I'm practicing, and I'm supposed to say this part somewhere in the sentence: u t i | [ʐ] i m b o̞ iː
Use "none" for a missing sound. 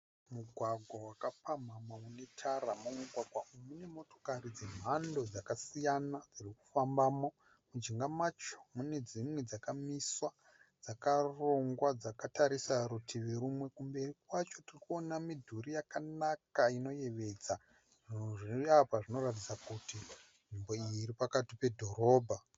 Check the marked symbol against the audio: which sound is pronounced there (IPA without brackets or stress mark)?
ʐ